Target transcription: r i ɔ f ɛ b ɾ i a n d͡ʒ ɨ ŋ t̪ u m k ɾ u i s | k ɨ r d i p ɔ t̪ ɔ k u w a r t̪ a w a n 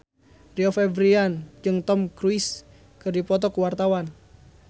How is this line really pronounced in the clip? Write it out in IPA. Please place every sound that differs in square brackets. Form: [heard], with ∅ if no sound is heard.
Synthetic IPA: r i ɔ f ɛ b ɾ i a n d͡ʒ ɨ ŋ t̪ [ɔ] m k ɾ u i s | k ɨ r d i p ɔ t̪ ɔ k u w a r t̪ a w a n